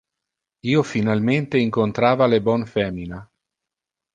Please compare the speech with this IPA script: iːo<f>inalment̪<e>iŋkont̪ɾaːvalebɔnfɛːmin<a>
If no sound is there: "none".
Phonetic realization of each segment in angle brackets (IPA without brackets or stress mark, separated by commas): f, e, a